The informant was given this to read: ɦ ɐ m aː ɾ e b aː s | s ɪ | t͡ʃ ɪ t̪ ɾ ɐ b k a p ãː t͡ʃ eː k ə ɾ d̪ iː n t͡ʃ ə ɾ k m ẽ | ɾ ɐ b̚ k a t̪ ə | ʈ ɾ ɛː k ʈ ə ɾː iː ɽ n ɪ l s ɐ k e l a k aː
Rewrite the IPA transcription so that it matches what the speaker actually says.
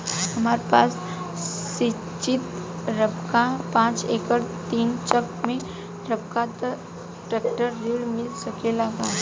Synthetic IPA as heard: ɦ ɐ m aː ɾ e p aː s | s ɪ | t͡ʃ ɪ t̪ ɾ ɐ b k a p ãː t͡ʃ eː k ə ɾ t̪ iː n t͡ʃ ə k m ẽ | ɾ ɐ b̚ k a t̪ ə | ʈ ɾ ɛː k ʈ ə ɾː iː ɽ m ɪ l s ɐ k e l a ɡ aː

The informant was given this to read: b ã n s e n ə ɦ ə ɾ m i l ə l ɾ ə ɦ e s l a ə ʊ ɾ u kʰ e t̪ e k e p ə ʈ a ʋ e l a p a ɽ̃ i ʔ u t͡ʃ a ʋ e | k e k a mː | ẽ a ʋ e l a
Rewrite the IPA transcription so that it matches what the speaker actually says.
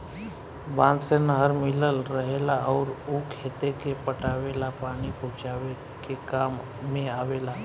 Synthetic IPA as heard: b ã n s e n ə ɦ ə ɾ m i l ə l ɾ ə ɦ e l a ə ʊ ɾ u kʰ e t̪ e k e p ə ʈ a ʋ e l a p a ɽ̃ i p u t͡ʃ a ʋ e | k e k a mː | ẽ a ʋ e l a

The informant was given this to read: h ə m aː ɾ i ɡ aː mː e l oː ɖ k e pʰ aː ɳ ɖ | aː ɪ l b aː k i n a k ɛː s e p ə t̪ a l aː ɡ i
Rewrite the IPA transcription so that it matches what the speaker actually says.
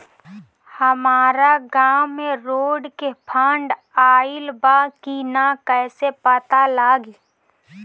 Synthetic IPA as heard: h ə m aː ɾ a ɡ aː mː e ɾ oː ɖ k e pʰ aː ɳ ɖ | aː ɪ l b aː k i n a k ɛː s e p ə t̪ a l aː ɡ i

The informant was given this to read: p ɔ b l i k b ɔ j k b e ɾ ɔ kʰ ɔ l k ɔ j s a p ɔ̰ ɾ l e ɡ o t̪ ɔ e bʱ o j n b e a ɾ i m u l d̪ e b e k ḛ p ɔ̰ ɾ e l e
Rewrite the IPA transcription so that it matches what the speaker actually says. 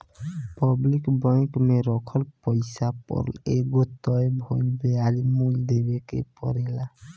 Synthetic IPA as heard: p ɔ b l i k b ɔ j k m e ɾ ɔ kʰ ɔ l p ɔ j s a p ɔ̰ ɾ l e ɡ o t̪ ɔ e bʱ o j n b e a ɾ i m u l d̪ e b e k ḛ p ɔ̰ ɾ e l a

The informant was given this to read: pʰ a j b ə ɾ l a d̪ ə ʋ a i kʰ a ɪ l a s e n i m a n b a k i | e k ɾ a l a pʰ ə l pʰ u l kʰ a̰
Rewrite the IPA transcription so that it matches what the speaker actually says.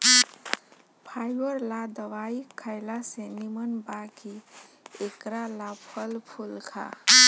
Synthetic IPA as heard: pʰ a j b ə ɾ l a d̪ ə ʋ a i kʰ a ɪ l a s e n i m ə n b a k i | e k ɾ a l a pʰ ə l pʰ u l kʰ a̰

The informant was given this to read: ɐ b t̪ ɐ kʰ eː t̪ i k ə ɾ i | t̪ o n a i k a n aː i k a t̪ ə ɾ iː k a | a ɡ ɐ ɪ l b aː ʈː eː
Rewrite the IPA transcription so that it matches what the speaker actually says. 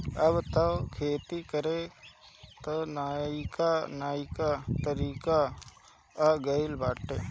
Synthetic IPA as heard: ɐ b t̪ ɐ kʰ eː t̪ i k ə ɾ e | t̪ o n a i k a n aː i k a t̪ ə ɾ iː k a | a ɡ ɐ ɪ l b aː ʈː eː

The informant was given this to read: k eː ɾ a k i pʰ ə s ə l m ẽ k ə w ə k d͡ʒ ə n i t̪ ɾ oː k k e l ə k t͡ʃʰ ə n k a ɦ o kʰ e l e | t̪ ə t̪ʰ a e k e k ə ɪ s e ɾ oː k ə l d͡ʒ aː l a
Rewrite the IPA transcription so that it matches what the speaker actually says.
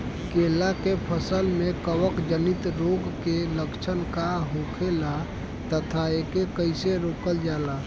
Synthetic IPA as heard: k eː l a k e pʰ ə s ə l m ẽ k ə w ə k d͡ʒ ə n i t̪ ɾ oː ɡ k e l ə k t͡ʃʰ ə n k a ɦ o kʰ e l a | t̪ ə t̪ʰ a e k e k ə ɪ s e ɾ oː k ə l d͡ʒ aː l a

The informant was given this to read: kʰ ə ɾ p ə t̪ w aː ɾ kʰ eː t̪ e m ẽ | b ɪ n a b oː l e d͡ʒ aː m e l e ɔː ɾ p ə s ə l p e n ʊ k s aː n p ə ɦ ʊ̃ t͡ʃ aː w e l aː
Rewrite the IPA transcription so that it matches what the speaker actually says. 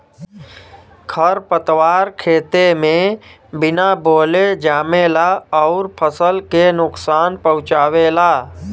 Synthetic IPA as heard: kʰ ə ɾ p ə t̪ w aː ɾ kʰ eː t̪ e m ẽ | b ɪ n a b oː l e d͡ʒ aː m e l a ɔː ɾ pʰ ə s ə l k e n ʊ k s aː n p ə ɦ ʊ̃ t͡ʃ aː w e l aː

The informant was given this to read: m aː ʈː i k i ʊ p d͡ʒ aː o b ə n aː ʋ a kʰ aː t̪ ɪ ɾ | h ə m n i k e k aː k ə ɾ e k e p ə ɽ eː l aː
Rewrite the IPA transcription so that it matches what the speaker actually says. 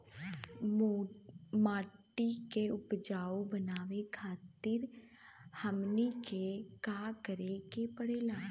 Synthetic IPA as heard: m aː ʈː i k e ʊ p d͡ʒ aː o b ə n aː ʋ e kʰ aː t̪ ɪ ɾ | h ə m n i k e k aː k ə ɾ e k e p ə ɽ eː l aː

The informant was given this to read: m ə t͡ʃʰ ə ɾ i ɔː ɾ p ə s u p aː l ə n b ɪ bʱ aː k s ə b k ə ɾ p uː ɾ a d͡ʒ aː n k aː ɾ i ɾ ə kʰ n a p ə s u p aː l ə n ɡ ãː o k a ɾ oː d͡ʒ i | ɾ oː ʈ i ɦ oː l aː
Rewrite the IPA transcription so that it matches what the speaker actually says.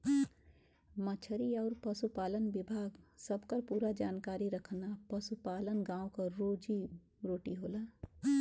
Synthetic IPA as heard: m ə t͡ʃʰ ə ɾ i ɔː ɾ p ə s u p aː l ə n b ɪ bʱ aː ɡ s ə b k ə ɾ p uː ɾ a d͡ʒ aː n k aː ɾ i ɾ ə kʰ n a p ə s u p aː l ə n ɡ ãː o k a ɾ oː d͡ʒ i | ɾ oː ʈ i ɦ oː l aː

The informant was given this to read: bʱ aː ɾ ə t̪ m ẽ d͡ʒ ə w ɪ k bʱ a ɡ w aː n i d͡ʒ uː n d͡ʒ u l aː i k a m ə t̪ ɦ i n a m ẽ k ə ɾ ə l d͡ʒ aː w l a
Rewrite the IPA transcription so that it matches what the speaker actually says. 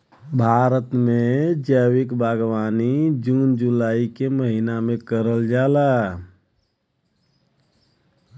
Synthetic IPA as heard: bʱ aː ɾ ə t̪ m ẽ d͡ʒ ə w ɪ k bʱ a ɡ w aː n i d͡ʒ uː n d͡ʒ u l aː i k e m ə ɦ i n a m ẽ k ə ɾ ə l d͡ʒ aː l a

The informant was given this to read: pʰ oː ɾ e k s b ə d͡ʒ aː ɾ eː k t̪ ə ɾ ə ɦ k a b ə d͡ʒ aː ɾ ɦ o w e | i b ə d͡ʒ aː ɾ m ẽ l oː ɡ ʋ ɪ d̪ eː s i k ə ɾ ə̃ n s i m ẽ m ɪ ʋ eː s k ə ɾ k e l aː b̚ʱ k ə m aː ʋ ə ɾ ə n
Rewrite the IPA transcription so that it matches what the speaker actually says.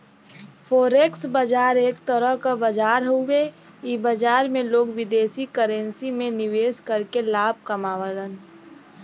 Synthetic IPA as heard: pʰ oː ɾ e k s b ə d͡ʒ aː ɾ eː k t̪ ə ɾ ə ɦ k a b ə d͡ʒ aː ɾ ɦ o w e | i b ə d͡ʒ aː ɾ m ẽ l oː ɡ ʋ ɪ d̪ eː s i k ə ɾ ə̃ n s i m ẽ n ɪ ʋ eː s k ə ɾ k e l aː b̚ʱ k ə m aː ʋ ə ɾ ə n

